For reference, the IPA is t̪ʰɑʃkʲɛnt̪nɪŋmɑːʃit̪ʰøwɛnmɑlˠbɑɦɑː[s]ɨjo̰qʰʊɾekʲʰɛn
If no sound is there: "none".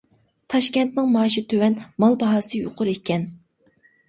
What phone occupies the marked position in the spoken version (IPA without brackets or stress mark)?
s